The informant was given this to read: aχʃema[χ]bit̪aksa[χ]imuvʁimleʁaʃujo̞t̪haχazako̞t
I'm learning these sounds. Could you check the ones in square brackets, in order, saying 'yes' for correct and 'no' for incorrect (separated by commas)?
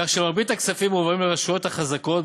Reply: no, no